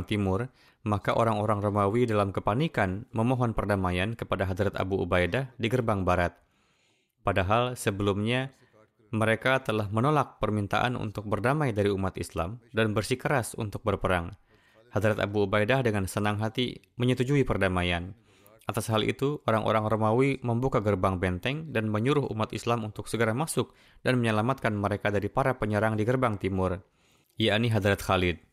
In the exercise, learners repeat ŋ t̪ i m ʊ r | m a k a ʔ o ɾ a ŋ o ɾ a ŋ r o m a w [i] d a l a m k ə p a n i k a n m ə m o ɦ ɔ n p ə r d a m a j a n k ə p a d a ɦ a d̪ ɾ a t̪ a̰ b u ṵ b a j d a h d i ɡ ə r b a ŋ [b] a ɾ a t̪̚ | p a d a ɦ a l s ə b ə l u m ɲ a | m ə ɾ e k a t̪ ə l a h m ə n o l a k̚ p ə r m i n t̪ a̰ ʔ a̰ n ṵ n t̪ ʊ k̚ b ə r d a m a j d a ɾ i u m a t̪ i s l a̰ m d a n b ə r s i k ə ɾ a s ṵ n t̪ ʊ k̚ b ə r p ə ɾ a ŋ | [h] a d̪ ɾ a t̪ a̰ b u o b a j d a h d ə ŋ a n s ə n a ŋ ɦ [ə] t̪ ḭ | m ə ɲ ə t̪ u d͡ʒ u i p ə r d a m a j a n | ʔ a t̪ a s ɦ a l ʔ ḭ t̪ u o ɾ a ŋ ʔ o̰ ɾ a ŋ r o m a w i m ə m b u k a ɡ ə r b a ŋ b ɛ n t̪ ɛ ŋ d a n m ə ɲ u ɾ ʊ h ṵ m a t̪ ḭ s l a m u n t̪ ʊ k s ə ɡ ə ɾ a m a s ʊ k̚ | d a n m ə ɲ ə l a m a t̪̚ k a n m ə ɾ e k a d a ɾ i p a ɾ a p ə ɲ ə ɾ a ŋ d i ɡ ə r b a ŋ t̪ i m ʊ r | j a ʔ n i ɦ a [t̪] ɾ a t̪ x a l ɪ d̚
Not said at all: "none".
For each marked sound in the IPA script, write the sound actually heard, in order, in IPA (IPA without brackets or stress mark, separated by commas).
i, b, h, a, d̪